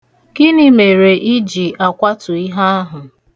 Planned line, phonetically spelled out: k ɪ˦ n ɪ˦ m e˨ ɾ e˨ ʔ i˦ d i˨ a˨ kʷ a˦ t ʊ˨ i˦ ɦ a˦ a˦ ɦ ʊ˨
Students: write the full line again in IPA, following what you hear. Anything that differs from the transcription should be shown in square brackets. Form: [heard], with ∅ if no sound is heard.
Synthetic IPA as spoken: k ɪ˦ n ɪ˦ m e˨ ɾ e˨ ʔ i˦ [d͡ʒ] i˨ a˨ kʷ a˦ t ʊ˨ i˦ ɦ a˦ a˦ ɦ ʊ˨